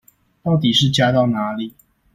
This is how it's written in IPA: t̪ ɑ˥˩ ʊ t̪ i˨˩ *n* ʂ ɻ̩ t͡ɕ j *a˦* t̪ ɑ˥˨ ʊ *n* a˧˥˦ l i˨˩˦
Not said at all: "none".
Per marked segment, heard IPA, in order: none, a˦, n

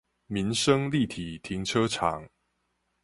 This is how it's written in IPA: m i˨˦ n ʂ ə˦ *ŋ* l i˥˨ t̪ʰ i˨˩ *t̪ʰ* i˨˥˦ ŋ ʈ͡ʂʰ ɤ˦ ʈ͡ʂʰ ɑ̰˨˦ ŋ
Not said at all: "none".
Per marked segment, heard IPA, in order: ŋ, t̪ʰ

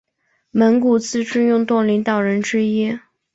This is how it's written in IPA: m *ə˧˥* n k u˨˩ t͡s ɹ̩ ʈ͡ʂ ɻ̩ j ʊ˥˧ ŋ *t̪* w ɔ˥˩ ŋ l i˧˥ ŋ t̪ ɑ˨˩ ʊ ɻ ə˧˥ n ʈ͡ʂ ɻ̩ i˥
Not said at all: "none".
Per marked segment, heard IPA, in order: ə˧˥, t̪

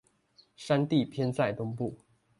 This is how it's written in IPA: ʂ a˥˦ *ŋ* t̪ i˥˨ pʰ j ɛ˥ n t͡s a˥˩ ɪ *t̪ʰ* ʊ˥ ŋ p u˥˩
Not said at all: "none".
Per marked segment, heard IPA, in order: n, t̪

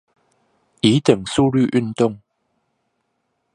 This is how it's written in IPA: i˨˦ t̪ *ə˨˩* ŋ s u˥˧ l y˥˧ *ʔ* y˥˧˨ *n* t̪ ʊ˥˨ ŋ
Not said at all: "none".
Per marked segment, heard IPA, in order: ə˨˩, ʔ, n

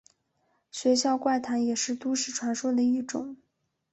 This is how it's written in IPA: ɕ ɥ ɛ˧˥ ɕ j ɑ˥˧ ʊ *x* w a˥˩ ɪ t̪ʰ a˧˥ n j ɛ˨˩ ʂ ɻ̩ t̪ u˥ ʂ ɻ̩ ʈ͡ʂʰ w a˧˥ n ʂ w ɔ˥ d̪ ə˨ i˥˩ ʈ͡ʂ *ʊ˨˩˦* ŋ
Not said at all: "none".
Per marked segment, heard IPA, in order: k, ʊ˨˩˦

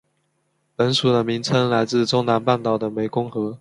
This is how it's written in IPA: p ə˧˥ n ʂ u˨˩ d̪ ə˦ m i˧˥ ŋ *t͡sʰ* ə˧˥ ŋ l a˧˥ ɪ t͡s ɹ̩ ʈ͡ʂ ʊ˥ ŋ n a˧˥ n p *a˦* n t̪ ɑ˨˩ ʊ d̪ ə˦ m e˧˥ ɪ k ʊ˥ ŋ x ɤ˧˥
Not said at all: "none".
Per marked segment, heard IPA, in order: t͡sʰ, a˥˩

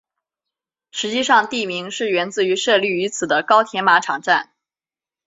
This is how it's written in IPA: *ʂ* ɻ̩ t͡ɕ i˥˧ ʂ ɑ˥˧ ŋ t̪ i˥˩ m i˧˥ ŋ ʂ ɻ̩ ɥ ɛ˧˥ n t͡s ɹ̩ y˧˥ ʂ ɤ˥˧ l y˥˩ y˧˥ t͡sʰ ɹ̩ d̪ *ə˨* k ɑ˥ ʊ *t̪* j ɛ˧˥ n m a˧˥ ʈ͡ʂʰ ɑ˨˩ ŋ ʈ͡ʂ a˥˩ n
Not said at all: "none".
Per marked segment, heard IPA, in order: ʂ, ə˦, t̪ʰ

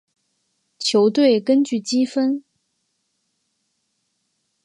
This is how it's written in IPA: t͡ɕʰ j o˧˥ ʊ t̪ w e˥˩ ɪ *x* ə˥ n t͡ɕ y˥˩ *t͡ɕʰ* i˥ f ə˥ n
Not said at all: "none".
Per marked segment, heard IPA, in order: k, t͡ɕ

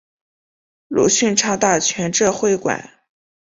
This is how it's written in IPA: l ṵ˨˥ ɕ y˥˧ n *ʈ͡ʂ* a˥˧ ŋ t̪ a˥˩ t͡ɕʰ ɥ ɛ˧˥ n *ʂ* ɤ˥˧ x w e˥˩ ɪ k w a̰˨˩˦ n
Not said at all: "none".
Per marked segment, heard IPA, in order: ʈ͡ʂʰ, ʈ͡ʂ

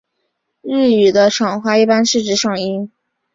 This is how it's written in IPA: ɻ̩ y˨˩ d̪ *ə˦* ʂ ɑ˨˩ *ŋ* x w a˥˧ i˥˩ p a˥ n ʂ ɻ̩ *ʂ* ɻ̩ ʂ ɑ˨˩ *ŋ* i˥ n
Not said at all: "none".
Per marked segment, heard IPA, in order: ə˦, ŋ, ʈ͡ʂ, ŋ

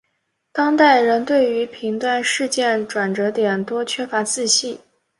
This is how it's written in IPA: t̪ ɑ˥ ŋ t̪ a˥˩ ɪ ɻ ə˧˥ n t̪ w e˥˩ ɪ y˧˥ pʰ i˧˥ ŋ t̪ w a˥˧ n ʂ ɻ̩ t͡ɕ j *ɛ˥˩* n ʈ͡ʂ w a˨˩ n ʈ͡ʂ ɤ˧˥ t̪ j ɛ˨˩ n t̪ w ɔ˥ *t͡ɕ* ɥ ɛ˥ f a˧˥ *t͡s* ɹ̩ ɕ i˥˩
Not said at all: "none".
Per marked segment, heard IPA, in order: ɛ˥˩, t͡ɕʰ, t͡s

